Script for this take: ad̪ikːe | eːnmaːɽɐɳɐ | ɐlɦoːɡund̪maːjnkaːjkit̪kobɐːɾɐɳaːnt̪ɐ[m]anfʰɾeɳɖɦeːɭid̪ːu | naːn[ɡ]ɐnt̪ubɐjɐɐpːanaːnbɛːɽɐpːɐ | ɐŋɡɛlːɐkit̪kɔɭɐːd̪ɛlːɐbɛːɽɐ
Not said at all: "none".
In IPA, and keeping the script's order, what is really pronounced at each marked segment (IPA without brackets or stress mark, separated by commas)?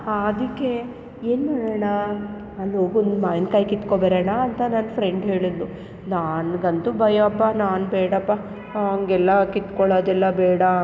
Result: n, ɡ